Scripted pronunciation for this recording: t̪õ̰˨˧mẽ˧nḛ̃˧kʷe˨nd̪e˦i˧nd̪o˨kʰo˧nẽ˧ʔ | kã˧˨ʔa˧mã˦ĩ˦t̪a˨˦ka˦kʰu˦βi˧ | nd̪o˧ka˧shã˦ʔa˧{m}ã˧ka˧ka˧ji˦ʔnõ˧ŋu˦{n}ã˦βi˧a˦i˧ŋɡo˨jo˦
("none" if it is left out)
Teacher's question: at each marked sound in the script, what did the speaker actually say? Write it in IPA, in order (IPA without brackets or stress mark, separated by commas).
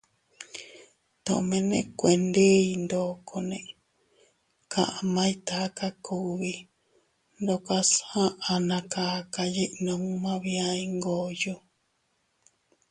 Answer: n, m